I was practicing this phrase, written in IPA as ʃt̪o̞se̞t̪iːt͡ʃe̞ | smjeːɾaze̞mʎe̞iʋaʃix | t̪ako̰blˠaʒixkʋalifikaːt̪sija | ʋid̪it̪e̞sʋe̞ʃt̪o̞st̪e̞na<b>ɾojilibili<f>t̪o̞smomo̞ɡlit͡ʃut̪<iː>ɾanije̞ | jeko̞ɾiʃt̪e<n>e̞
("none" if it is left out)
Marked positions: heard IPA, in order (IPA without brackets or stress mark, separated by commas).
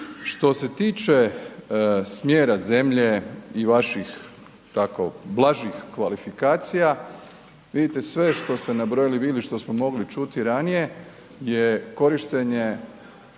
b, ʃ, i, ɲ